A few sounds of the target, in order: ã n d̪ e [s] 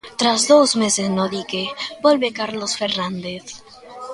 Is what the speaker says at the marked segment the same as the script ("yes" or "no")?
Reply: no